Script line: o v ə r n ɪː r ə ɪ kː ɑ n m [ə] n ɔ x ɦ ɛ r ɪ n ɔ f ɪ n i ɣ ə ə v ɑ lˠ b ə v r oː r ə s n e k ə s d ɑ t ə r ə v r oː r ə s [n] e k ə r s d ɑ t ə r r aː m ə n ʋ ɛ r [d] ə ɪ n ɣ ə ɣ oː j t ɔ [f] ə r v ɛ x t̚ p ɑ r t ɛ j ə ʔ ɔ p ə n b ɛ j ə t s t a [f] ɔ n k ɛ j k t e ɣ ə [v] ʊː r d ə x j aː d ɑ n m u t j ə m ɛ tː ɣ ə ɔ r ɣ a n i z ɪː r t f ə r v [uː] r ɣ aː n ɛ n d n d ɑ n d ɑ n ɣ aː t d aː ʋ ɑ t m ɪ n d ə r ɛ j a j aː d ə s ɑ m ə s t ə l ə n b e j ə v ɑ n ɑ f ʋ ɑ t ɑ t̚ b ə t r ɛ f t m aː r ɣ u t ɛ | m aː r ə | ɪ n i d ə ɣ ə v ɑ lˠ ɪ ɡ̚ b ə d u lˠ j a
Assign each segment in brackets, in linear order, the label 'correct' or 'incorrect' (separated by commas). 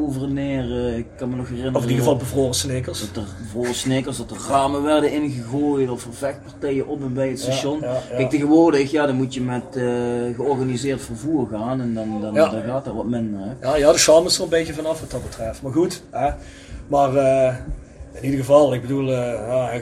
correct, correct, correct, correct, incorrect, incorrect, correct